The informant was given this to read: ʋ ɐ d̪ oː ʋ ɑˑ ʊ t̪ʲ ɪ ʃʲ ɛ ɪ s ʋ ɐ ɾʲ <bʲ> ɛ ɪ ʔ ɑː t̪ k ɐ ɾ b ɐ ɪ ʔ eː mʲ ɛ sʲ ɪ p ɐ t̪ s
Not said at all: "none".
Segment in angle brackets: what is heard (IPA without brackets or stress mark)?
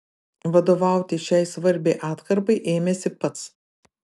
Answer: bʲ